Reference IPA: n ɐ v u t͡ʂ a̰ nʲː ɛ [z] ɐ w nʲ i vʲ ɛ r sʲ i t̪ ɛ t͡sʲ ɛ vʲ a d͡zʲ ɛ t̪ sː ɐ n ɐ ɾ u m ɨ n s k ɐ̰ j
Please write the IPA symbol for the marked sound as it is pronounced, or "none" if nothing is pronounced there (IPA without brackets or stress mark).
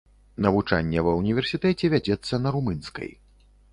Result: v